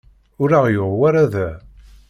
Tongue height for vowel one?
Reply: high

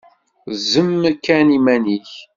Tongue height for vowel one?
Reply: mid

